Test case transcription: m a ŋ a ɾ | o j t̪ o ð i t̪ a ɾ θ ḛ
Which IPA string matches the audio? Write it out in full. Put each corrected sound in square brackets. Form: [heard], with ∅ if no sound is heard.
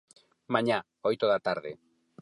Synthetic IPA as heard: m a [ɲ] a [∅] | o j t̪ o ð [a] t̪ a ɾ [ð] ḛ